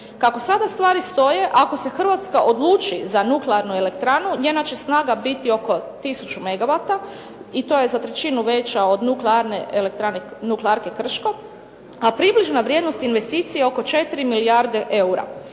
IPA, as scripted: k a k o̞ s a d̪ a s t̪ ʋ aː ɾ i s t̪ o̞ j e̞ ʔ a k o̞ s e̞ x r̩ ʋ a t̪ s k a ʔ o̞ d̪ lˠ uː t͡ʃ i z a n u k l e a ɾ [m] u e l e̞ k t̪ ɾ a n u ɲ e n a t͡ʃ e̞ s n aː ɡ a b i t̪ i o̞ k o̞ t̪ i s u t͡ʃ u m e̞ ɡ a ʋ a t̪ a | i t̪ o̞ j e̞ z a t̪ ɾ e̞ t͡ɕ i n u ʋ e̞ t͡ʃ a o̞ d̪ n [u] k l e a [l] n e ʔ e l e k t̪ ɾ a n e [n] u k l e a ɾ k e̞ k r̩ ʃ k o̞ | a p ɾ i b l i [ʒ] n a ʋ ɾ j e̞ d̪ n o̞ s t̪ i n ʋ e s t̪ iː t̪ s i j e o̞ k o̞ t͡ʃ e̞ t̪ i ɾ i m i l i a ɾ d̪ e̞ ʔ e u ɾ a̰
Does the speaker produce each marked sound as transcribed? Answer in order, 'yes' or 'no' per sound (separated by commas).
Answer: no, yes, no, yes, yes